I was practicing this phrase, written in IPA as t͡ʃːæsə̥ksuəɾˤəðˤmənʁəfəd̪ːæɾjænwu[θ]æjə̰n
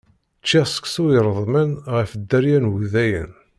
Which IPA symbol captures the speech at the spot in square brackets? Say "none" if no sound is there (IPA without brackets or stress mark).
ð